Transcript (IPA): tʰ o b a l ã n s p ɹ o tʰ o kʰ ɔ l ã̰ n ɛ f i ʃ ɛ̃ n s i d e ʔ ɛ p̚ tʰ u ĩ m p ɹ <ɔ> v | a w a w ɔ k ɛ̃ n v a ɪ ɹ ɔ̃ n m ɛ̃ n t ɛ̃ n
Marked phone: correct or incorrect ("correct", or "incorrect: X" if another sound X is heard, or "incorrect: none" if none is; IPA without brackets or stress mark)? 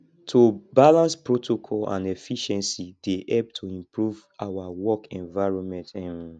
incorrect: u